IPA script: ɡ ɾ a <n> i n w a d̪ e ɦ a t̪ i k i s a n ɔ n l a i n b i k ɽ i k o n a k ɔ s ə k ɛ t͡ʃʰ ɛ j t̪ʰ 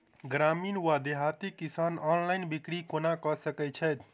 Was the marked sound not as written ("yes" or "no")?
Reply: yes